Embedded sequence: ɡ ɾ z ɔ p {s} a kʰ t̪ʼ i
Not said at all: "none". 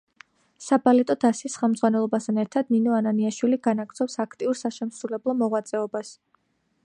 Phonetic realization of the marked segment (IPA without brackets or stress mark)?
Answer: s